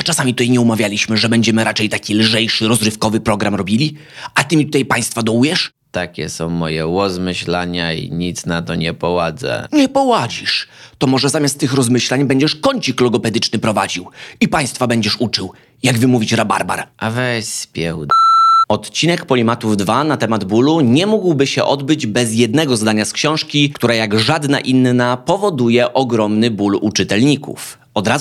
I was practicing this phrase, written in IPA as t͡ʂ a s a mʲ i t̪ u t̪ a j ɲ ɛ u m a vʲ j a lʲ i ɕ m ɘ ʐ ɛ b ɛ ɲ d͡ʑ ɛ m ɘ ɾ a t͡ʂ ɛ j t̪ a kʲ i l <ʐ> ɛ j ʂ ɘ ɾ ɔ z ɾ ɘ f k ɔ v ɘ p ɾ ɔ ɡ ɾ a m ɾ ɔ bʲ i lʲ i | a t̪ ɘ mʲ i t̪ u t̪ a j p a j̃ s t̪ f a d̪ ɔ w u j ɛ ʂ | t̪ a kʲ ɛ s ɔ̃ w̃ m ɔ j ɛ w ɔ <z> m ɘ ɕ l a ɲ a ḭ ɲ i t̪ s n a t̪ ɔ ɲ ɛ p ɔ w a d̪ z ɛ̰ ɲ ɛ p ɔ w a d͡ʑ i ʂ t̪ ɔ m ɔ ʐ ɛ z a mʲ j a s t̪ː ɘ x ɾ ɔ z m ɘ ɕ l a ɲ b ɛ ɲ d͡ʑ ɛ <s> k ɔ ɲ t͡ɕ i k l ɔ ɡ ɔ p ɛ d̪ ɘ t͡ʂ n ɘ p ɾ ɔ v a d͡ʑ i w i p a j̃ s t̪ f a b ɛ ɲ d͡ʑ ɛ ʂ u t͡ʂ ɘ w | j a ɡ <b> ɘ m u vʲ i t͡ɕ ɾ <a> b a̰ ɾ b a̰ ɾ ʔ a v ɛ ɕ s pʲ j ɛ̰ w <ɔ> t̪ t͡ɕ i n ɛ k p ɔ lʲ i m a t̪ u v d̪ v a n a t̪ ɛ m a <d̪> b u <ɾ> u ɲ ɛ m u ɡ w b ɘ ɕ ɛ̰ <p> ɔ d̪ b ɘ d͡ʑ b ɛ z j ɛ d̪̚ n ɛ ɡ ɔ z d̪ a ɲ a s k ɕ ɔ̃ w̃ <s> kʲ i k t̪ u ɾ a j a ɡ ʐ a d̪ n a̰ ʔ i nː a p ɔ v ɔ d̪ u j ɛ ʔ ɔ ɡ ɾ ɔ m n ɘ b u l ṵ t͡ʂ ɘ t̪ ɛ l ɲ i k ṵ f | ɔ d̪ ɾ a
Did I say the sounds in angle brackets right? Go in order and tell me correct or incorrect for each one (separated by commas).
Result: correct, correct, incorrect, incorrect, correct, correct, correct, incorrect, incorrect, incorrect